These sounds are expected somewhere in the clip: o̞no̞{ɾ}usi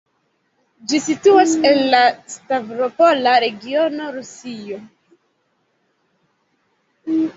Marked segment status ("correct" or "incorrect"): correct